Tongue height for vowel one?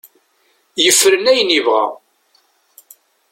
mid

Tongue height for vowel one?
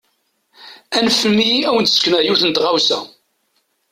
low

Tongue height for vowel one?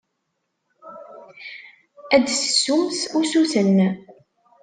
low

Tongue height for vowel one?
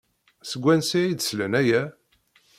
mid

